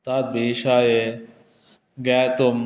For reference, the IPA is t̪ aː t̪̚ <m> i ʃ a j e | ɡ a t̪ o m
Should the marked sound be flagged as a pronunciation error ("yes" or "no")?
yes